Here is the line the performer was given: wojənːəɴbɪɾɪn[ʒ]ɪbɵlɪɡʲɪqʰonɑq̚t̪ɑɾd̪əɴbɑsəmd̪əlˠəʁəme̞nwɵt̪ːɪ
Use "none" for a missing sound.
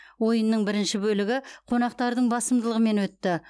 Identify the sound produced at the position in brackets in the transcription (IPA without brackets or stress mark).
ʃ